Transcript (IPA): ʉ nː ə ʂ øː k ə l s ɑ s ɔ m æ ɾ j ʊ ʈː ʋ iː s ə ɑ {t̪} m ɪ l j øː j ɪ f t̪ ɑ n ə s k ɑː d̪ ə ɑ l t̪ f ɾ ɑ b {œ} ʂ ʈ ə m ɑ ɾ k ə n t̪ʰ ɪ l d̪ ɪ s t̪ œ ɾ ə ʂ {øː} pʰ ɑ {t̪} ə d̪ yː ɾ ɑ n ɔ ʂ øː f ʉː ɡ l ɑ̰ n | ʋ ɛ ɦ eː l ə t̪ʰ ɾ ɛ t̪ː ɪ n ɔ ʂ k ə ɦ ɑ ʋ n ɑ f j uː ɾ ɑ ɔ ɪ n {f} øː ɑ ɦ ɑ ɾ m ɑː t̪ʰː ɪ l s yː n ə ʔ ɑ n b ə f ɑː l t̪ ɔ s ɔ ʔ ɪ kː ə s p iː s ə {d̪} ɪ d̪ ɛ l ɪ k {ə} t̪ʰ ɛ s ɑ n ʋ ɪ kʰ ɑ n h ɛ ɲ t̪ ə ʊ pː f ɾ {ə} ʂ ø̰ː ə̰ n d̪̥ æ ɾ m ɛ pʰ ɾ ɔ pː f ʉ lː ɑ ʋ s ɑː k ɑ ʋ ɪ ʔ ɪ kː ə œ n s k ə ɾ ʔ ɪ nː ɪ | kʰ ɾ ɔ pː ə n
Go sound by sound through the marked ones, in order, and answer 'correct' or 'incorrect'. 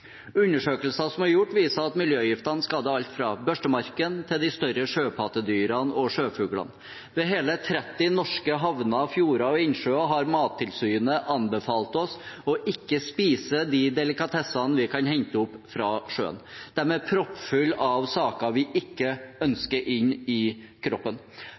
correct, correct, correct, correct, incorrect, correct, incorrect, incorrect

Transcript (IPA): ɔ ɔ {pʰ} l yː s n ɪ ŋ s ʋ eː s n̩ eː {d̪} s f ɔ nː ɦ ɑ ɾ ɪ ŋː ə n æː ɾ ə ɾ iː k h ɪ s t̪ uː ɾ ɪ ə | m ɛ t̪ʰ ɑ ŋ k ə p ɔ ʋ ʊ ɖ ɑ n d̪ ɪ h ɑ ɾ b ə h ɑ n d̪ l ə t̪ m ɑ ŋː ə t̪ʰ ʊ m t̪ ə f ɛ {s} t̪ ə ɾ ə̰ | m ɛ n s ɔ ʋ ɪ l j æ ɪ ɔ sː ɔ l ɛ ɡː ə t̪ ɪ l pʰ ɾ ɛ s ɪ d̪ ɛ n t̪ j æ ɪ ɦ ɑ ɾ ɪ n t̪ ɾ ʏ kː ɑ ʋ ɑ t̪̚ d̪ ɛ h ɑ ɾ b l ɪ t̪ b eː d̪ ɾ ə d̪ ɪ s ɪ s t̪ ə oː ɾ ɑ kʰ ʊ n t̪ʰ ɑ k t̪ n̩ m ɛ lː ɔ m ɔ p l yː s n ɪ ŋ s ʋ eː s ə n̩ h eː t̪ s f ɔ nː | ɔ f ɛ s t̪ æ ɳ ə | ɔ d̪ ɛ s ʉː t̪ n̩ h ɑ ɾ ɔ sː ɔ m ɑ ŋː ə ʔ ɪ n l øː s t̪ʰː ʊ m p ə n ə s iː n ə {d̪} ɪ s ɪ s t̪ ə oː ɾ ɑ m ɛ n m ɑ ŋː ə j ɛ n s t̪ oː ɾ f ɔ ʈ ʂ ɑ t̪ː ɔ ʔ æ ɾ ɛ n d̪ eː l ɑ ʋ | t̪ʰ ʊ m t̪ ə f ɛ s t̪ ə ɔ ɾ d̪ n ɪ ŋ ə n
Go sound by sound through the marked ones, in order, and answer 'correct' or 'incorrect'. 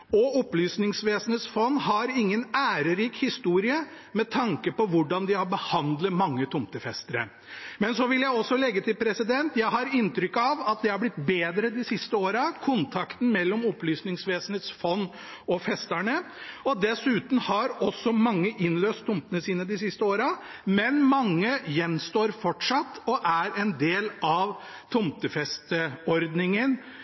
incorrect, incorrect, correct, correct

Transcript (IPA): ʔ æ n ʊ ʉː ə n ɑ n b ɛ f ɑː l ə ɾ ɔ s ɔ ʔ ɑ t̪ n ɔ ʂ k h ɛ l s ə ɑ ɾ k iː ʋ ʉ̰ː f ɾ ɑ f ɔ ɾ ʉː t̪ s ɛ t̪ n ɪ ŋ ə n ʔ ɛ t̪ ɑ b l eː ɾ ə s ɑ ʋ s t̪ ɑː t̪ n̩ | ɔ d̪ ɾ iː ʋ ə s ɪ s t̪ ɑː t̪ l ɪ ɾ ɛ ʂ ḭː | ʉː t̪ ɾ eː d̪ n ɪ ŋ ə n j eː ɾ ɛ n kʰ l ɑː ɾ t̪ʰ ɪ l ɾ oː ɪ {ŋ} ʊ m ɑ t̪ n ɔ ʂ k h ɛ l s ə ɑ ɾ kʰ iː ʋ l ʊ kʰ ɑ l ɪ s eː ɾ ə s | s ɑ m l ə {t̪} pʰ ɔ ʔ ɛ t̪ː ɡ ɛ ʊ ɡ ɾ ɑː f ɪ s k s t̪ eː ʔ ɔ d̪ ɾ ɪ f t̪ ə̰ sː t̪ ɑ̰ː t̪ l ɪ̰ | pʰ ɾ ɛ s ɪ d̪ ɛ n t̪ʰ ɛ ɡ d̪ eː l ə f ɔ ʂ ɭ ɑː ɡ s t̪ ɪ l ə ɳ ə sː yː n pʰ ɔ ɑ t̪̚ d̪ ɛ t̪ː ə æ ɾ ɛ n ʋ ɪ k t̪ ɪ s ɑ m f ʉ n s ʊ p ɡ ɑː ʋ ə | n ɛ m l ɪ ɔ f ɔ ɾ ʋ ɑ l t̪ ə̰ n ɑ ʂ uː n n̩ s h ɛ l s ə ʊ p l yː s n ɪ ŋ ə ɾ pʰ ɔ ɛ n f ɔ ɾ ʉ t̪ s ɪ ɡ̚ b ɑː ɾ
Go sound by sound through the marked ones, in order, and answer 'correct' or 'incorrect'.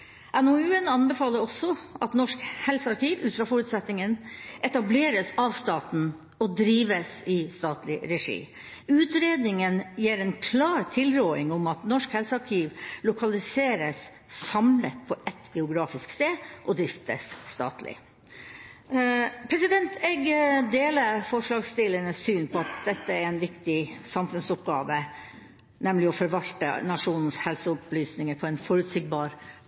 correct, correct

